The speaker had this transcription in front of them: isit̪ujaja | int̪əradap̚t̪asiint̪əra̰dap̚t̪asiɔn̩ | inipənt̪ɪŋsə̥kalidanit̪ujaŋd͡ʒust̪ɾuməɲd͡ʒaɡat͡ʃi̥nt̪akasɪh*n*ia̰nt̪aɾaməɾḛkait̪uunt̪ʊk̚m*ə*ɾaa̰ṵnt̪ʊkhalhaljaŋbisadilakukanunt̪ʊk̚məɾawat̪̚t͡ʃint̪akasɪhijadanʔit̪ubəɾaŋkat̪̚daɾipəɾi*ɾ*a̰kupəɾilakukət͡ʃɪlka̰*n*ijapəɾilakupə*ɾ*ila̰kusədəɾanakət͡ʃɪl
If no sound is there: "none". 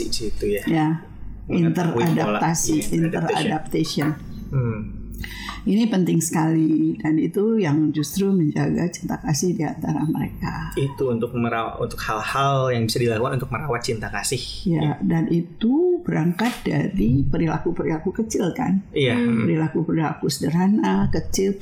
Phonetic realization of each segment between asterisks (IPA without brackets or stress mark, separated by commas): d, ə, l, n, ɾ